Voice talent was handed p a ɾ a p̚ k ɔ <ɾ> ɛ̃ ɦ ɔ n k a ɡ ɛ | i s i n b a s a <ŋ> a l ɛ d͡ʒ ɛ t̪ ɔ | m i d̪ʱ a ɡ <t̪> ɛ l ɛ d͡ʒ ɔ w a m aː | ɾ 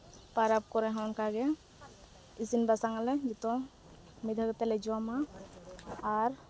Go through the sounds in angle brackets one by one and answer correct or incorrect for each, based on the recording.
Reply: correct, correct, correct

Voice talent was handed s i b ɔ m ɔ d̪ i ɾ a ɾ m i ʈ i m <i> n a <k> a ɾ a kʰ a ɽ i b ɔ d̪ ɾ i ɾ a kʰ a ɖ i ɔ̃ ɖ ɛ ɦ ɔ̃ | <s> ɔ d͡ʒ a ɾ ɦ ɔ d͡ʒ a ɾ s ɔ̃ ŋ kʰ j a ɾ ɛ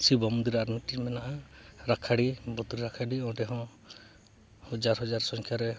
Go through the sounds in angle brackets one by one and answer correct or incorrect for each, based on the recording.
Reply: incorrect: ɛ, incorrect: ʔ, incorrect: h

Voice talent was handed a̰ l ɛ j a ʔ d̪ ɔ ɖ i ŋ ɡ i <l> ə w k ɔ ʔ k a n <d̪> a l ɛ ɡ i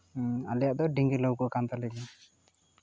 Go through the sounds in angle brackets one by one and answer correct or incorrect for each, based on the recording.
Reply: correct, incorrect: t̪

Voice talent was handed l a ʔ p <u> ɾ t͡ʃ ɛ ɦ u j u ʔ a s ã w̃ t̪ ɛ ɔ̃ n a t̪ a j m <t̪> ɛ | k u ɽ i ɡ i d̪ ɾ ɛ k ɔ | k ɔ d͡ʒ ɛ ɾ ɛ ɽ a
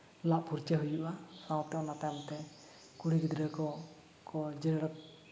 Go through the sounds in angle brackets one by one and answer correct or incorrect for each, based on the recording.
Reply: correct, correct

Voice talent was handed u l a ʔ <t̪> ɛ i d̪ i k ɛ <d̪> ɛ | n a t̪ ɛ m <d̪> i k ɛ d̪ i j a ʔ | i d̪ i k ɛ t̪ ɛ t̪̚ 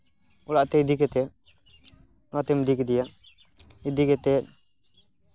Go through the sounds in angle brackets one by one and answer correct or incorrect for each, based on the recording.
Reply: correct, incorrect: t̪, correct

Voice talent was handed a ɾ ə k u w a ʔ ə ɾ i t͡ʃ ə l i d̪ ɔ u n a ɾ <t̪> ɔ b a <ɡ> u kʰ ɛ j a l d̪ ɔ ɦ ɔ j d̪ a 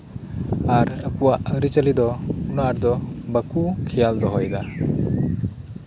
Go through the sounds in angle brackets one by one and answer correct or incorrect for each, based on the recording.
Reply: incorrect: d̪, incorrect: k

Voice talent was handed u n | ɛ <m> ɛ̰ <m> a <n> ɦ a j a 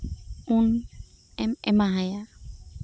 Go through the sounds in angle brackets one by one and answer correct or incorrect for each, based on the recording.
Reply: correct, correct, incorrect: none

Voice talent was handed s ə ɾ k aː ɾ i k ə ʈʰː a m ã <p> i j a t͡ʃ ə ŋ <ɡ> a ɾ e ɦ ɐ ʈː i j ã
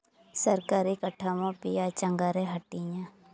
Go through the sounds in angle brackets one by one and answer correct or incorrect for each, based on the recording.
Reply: correct, correct

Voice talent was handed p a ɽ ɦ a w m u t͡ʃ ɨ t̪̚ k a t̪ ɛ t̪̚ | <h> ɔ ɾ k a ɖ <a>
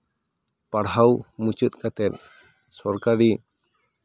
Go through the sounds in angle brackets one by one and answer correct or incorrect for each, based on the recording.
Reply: incorrect: s, incorrect: i

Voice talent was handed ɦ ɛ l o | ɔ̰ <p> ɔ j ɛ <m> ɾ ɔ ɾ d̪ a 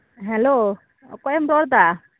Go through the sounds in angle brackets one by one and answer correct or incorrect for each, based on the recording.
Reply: incorrect: k, correct

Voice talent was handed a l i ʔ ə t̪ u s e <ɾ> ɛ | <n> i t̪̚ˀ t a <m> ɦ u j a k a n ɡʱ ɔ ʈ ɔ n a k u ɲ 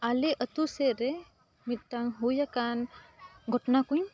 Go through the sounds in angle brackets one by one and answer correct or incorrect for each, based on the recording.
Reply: correct, incorrect: m, incorrect: ŋ

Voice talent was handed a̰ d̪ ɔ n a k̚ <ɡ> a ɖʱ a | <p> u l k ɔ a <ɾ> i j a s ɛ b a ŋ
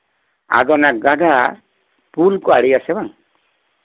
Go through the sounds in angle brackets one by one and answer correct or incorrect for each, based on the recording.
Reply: correct, correct, incorrect: ɽ

